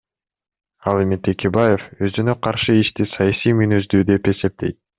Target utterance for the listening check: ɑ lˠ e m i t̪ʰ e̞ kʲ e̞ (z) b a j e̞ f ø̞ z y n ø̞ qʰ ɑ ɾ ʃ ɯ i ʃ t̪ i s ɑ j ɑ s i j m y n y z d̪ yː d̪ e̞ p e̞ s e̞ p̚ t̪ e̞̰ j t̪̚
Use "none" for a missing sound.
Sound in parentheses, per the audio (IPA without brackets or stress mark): none